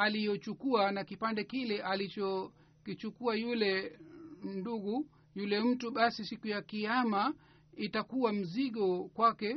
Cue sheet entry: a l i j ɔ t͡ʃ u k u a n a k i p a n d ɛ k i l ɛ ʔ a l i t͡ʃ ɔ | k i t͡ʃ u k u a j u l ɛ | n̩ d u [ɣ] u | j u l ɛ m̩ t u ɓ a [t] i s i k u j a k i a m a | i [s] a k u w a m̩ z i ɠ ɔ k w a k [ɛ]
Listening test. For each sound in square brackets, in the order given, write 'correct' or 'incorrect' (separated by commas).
correct, incorrect, incorrect, correct